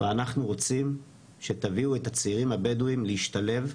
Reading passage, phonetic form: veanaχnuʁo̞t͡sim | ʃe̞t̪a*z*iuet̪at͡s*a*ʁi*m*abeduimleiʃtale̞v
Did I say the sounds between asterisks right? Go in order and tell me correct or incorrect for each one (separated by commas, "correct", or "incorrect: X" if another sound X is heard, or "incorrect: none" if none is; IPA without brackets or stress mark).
incorrect: v, incorrect: i, correct